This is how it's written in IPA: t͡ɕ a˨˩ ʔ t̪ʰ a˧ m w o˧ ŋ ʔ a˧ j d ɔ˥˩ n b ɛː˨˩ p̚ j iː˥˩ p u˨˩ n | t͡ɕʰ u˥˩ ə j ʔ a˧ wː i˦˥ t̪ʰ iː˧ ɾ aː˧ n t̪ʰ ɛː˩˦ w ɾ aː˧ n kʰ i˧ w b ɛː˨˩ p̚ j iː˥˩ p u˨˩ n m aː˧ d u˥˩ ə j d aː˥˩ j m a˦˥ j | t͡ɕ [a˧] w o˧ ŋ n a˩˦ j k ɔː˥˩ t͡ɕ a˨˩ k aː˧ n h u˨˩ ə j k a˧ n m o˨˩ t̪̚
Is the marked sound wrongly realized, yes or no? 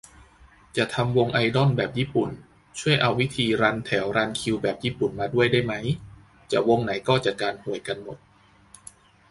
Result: yes